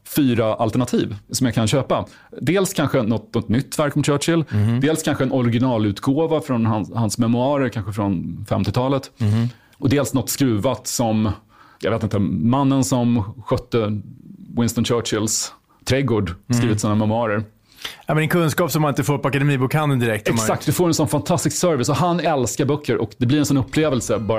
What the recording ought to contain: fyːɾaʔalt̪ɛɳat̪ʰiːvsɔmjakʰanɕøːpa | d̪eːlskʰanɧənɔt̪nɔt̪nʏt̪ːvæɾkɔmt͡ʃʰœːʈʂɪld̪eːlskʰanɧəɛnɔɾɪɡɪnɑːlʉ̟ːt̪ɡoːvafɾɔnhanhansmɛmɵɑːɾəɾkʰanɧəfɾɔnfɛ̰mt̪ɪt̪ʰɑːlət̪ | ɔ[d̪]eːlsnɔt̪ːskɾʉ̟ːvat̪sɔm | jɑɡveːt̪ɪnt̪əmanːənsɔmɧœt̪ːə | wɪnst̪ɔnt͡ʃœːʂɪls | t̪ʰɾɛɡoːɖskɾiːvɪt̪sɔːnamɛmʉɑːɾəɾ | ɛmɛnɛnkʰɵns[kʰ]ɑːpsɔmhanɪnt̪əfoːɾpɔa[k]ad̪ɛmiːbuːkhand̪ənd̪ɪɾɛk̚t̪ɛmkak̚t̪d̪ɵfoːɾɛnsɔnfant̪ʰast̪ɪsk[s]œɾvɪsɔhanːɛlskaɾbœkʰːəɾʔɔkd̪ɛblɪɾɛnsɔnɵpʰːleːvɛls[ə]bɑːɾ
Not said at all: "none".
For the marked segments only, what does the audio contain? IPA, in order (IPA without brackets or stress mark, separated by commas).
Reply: d̪, k, k, s, ə